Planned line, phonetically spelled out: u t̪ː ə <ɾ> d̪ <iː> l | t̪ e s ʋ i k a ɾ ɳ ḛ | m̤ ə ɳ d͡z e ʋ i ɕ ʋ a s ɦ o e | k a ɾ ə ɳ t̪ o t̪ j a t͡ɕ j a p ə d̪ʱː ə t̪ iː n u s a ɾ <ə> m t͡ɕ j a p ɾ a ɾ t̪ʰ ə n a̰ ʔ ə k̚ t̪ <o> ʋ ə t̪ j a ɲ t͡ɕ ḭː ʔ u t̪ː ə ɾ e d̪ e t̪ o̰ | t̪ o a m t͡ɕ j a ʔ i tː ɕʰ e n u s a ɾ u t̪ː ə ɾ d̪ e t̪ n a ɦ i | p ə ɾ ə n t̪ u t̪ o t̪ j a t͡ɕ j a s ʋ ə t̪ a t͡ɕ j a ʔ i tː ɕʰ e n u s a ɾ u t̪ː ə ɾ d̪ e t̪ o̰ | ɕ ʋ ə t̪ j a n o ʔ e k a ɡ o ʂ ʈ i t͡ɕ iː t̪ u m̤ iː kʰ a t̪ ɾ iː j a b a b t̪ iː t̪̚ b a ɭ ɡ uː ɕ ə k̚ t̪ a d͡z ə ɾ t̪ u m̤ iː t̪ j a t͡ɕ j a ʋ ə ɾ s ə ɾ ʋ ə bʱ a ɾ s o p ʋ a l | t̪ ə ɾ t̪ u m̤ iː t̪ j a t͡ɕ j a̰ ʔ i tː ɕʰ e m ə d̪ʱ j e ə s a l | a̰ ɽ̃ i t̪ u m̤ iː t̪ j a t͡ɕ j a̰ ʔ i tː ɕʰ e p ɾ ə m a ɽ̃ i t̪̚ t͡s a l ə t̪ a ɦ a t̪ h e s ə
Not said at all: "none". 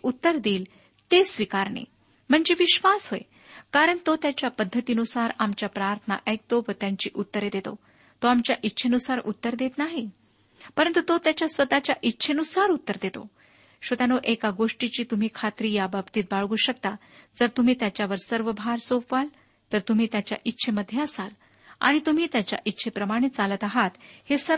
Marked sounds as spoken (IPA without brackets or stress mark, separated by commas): ɾ, iː, a, o